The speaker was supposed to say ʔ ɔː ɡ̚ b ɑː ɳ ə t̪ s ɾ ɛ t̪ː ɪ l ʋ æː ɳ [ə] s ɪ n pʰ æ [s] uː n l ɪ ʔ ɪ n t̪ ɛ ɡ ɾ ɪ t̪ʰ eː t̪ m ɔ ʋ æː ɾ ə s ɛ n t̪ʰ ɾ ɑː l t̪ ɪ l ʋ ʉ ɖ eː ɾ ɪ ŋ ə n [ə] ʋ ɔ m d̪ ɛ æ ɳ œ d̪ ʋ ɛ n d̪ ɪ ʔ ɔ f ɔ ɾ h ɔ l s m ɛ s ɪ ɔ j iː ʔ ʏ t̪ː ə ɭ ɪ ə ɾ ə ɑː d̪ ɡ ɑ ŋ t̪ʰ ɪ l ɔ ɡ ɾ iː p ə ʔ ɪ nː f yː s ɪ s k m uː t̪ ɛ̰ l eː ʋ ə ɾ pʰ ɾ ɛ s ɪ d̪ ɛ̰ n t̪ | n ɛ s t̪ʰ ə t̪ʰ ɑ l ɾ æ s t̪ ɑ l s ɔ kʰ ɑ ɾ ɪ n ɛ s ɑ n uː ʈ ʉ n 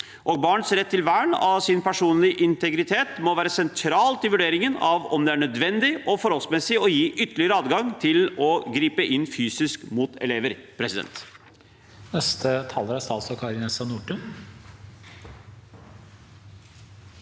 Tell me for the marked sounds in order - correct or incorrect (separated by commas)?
incorrect, incorrect, incorrect